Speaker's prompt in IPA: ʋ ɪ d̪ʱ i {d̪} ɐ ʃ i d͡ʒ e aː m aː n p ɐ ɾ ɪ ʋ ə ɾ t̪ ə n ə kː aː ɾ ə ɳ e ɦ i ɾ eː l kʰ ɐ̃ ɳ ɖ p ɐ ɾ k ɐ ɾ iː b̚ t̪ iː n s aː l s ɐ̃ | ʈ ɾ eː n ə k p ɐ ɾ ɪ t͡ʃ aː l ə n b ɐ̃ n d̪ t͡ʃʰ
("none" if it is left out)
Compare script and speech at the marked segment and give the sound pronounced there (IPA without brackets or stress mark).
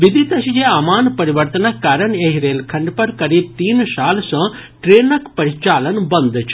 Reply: t̪